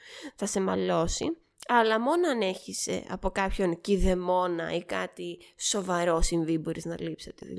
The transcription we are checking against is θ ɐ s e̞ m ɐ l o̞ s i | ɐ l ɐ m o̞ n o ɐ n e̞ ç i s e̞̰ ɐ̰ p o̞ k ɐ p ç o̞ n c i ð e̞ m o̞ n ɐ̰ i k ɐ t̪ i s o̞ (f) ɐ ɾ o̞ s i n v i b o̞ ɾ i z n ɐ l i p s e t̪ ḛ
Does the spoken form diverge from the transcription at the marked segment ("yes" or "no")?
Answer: yes